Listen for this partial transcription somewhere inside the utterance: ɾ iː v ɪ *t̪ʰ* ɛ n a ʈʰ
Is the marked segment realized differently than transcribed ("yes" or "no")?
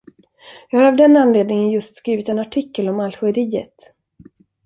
yes